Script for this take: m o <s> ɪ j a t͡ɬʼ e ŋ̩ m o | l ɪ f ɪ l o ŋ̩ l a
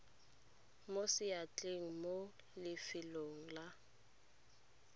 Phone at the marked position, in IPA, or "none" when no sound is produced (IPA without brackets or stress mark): s